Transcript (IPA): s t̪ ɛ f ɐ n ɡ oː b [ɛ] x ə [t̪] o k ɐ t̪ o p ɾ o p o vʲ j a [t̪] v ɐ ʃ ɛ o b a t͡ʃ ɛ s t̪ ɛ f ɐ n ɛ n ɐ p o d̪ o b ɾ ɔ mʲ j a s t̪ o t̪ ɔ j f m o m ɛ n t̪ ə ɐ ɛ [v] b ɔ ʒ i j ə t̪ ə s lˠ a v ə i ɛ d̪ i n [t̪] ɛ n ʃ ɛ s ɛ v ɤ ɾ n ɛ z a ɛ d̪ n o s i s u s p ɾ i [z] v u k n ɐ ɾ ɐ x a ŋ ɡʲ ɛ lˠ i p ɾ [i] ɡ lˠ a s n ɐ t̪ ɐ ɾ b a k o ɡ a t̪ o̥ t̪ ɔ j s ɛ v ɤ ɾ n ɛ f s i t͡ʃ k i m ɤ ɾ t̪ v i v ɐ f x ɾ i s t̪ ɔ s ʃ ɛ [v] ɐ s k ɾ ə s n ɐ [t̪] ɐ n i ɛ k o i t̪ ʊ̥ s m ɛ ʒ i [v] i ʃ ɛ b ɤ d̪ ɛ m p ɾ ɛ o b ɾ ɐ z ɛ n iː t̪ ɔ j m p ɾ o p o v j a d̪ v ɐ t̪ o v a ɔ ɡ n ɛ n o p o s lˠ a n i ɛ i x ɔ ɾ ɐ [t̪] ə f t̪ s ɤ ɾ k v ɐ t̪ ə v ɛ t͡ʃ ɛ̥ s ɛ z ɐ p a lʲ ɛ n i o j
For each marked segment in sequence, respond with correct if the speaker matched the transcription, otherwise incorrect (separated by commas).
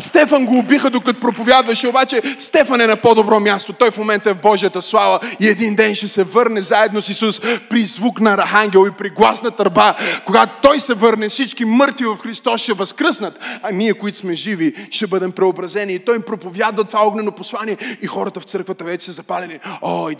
incorrect, incorrect, incorrect, correct, incorrect, correct, correct, correct, correct, correct, correct